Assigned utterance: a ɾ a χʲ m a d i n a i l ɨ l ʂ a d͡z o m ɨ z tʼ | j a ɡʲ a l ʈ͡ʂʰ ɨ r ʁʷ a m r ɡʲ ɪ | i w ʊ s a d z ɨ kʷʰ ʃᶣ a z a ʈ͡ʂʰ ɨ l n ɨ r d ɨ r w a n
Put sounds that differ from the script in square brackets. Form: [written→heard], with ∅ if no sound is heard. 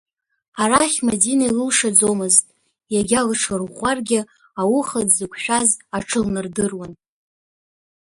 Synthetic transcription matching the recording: a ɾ a χʲ m a d i n a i l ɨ l ʂ a d͡z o m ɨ z tʼ | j a ɡʲ a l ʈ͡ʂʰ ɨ r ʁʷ a [m→∅] r ɡʲ ɪ | [i→a] w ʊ [s→χ] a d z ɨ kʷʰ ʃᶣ a z a ʈ͡ʂʰ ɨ l n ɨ r d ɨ r w a n